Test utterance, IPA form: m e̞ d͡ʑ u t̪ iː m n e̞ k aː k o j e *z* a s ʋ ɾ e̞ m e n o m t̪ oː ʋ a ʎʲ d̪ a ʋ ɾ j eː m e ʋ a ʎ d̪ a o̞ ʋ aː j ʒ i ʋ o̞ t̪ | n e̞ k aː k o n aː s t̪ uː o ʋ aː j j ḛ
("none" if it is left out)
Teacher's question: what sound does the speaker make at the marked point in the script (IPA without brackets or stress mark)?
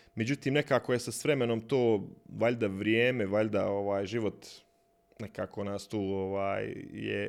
s